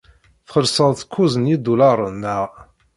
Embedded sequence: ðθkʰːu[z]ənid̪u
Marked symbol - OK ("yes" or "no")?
yes